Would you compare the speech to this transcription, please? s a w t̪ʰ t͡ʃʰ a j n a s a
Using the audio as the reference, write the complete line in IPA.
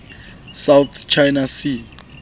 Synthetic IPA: s a w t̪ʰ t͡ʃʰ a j n a s i